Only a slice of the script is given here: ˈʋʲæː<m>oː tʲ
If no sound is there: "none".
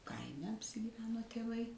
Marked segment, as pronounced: n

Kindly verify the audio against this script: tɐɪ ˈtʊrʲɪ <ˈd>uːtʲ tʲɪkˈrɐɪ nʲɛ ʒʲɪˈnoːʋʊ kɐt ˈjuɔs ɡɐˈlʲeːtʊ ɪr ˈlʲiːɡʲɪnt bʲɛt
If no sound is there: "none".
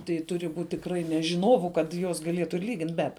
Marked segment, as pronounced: b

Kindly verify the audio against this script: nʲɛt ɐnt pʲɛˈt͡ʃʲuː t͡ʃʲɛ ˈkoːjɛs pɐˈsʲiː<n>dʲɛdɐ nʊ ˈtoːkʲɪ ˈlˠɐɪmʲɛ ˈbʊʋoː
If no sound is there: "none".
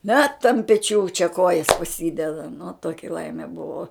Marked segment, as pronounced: none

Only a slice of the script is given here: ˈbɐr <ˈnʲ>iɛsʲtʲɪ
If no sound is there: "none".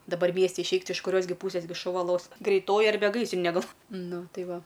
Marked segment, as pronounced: mʲ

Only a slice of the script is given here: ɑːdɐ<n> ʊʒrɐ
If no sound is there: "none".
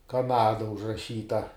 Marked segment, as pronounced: none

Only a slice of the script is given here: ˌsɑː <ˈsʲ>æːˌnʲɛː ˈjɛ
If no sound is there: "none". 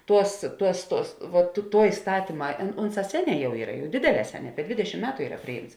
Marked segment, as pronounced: sʲ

